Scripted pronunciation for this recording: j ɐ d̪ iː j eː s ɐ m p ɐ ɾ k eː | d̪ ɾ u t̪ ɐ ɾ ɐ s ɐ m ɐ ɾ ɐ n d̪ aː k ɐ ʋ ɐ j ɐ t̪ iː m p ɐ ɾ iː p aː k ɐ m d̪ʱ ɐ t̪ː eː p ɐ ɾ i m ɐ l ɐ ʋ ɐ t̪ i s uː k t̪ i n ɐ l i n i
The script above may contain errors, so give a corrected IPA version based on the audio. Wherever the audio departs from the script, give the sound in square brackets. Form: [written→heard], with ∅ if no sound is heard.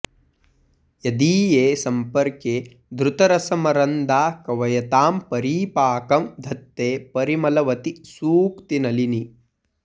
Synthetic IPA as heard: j ɐ d̪ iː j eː s ɐ m p ɐ ɾ k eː | d̪ ɾ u t̪ ɐ ɾ ɐ s ɐ m ɐ ɾ ɐ n d̪ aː k ɐ ʋ ɐ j ɐ t̪ [iː→aː] m p ɐ ɾ iː p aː k ɐ m d̪ʱ ɐ t̪ː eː p ɐ ɾ i m ɐ l ɐ ʋ ɐ t̪ i s uː k t̪ i n ɐ l i n i

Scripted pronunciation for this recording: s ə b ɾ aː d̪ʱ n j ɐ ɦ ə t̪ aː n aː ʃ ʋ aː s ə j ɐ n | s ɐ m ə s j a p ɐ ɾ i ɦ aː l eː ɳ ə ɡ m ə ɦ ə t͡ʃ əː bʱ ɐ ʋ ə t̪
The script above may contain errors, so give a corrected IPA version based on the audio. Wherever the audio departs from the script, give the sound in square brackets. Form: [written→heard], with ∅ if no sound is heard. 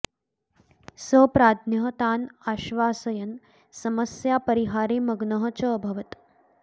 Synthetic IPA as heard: s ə [b→p] ɾ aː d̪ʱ n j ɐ ɦ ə t̪ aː n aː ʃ ʋ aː s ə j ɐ n | s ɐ m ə s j a p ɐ ɾ i ɦ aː [l→ɾ] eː [ɳ→m] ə ɡ [m→n] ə ɦ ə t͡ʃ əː bʱ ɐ ʋ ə t̪

